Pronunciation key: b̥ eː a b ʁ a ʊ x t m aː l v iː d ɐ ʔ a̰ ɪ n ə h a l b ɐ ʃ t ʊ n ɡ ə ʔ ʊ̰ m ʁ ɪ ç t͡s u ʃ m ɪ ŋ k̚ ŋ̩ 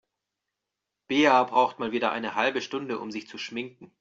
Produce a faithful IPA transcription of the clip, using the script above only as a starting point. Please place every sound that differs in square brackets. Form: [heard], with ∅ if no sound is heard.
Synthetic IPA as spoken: b̥ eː a b ʁ a ʊ x t m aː l v iː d ɐ ʔ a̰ ɪ n ə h a l b [ə] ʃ t ʊ n [d] ə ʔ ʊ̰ m [z] ɪ ç t͡s u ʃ m ɪ ŋ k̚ ŋ̩

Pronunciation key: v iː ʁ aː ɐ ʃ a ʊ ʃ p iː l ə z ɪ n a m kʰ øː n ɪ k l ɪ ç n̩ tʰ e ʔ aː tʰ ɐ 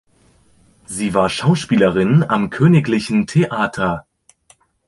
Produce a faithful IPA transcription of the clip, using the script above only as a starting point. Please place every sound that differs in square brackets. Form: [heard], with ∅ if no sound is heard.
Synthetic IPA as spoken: [z] iː [v] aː ɐ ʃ a ʊ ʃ p iː l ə [ʁ] ɪ n a m kʰ øː n ɪ k l ɪ ç n̩ tʰ e ʔ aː tʰ ɐ

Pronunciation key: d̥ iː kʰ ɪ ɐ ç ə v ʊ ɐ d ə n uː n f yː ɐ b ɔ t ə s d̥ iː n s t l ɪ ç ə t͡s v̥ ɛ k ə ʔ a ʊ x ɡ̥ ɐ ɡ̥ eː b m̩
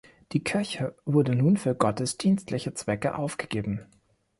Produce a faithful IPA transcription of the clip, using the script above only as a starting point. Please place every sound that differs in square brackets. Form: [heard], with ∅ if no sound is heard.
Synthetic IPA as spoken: d̥ iː kʰ ɪ ɐ ç ə v ʊ ɐ d ə n uː n f yː ɐ [ɡ] ɔ t ə s d̥ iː n s t l ɪ ç ə t͡s v̥ ɛ k ə ʔ a ʊ [f] ɡ̥ [ə] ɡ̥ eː b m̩

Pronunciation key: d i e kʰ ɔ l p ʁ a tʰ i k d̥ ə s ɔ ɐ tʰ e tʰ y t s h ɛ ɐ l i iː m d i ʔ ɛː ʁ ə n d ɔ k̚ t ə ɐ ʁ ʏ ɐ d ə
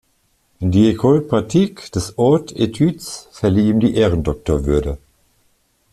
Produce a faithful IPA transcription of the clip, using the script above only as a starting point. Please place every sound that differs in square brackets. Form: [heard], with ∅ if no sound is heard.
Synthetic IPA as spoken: d i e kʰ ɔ l p ʁ a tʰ i k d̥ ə s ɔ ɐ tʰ e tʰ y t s [f] ɛ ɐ l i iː m d i ʔ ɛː ʁ ə n d ɔ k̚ t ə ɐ [v] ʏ ɐ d ə

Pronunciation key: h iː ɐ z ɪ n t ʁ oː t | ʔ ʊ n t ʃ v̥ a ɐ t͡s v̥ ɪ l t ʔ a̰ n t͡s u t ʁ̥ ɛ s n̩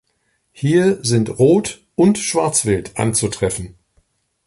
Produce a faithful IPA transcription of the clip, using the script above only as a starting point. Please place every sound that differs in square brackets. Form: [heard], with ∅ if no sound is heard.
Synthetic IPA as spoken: h iː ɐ z ɪ n t ʁ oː t | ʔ ʊ n t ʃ v̥ a ɐ t͡s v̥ ɪ l t ʔ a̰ n t͡s u t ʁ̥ ɛ [f] n̩

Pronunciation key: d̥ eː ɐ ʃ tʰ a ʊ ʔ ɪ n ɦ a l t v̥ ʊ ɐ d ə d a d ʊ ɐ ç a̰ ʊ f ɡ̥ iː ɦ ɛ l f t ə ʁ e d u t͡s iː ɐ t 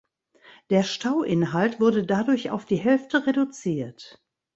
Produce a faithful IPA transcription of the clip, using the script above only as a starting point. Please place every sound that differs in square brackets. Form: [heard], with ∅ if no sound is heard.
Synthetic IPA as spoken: d̥ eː ɐ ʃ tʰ a ʊ ʔ ɪ n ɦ a l t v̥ ʊ ɐ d ə d a d ʊ ɐ ç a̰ ʊ f [d̥] iː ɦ ɛ l f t ə ʁ e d u t͡s iː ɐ t

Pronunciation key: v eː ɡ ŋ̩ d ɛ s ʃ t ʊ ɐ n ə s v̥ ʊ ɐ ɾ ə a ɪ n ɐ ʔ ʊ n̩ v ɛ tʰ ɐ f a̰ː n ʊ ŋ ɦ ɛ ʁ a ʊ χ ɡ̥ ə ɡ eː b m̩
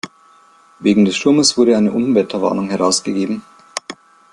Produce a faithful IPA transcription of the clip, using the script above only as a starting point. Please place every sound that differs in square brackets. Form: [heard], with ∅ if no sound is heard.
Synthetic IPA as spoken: v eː ɡ ŋ̩ d ɛ s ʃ t ʊ ɐ [m] ə s v̥ ʊ ɐ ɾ ə a ɪ n [ə] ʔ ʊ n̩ v ɛ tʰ ɐ [v] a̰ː n ʊ ŋ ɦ ɛ ʁ a ʊ [s] ɡ̥ ə ɡ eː b m̩

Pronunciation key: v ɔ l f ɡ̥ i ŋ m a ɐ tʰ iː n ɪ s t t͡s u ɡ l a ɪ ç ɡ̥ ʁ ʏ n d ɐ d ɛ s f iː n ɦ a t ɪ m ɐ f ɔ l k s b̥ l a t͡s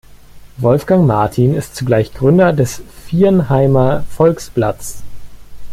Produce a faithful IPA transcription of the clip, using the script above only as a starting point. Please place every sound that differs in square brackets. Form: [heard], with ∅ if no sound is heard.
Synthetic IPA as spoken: v ɔ l f ɡ̥ [a] ŋ m a ɐ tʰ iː n ɪ s t t͡s u ɡ l a ɪ ç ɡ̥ ʁ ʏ n d ɐ d ɛ s f iː n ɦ a [∅] ɪ m ɐ f ɔ l k s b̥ l a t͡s

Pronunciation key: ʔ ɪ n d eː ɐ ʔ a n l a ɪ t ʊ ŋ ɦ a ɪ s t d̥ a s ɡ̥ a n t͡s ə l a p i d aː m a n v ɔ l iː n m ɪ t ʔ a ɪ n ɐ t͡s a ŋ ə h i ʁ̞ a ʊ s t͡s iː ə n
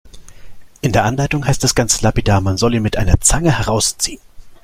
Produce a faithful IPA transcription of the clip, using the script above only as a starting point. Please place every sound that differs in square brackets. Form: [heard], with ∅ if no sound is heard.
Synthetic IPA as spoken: ʔ ɪ n d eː ɐ ʔ a n l a ɪ t ʊ ŋ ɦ a ɪ s t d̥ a s ɡ̥ a n t͡s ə l a p i d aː m a n [z] ɔ l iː n m ɪ t ʔ a ɪ n ɐ t͡s a ŋ ə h [ɛ] ʁ̞ a ʊ s t͡s iː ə n

